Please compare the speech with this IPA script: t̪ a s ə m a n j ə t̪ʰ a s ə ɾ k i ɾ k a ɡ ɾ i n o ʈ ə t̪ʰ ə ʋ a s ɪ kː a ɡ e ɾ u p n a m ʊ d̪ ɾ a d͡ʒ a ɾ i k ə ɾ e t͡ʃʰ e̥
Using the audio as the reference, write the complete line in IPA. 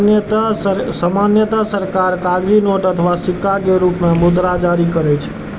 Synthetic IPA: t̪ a s ə m a n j ə t̪ a s ə ɾ k a ɾ k a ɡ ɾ i n o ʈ ə t̪ʰ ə ʋ a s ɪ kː a ɡ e ɾ u p n a m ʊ d̪ ɾ a d͡ʒ a ɾ i k ə ɾ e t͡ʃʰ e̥